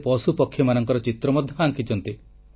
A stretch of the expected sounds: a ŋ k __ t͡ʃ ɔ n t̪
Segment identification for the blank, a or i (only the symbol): i